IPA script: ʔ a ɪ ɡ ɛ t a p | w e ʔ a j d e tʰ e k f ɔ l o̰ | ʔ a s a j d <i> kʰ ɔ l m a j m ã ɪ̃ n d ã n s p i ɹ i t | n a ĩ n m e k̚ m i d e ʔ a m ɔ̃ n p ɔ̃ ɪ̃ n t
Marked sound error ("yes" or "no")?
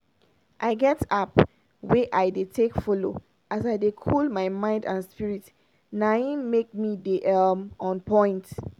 yes